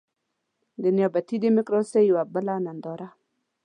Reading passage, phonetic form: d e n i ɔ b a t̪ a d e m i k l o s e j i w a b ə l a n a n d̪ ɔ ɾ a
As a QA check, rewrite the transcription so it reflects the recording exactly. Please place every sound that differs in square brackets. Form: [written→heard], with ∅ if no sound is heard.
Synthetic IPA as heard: d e n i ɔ b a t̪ [a→i] d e m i k [l→ɾ] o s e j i w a b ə l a n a n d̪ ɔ ɾ a